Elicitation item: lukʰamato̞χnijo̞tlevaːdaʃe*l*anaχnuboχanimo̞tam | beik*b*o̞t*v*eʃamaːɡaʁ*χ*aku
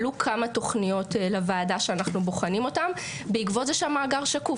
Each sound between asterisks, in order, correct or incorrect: incorrect: none, incorrect: v, incorrect: z, incorrect: ʃ

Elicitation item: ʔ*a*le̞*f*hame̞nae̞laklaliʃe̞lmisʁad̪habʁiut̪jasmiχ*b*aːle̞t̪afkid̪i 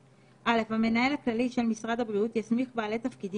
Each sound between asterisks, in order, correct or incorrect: correct, correct, correct

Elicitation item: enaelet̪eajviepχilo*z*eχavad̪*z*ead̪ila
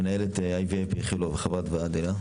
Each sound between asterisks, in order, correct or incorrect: incorrect: v, incorrect: v

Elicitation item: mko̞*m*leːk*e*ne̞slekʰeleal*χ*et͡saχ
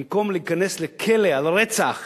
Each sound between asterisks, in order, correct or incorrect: correct, incorrect: a, incorrect: ʁ

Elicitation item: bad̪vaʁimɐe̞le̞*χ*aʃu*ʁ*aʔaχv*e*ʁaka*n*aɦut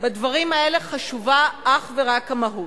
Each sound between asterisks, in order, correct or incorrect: correct, incorrect: v, correct, incorrect: m

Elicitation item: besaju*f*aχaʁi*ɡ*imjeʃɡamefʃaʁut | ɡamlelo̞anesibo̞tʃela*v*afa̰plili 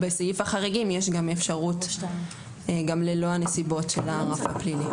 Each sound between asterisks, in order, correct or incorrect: correct, correct, incorrect: ʁ

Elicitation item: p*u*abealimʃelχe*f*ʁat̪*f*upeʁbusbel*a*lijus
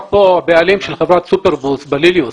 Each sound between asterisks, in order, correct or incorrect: incorrect: o, incorrect: v, incorrect: s, incorrect: i

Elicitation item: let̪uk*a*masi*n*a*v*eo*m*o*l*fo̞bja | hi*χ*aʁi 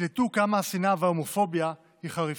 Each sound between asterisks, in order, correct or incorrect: correct, correct, correct, correct, incorrect: none, correct

